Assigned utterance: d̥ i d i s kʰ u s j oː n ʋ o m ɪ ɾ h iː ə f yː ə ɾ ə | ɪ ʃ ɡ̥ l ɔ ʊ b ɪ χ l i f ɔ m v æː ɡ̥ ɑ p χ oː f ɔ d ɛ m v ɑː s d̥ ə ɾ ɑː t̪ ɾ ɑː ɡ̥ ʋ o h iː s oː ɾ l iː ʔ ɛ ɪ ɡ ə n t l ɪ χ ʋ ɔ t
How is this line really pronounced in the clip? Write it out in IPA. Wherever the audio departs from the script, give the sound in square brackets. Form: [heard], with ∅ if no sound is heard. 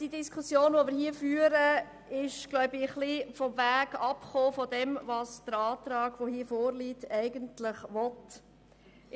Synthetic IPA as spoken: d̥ i d i s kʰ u s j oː n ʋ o m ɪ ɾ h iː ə f yː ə ɾ ə | ɪ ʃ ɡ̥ l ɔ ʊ b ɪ χ l i f ɔ m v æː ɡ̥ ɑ p χ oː f ɔ d ɛ m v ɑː s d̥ ə ɾ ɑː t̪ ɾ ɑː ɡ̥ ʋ o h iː [f] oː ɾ l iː [t] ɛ ɪ ɡ ə n t l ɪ χ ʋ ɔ t